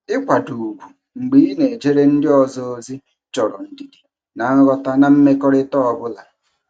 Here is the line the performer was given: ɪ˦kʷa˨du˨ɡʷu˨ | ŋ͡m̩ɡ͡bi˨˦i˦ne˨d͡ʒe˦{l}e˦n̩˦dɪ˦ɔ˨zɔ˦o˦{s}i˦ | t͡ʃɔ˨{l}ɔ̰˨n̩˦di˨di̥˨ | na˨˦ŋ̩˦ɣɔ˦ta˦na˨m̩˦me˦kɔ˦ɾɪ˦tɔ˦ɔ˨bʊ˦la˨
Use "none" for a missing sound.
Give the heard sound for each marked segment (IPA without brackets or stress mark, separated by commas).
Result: ɾ, z, ɾ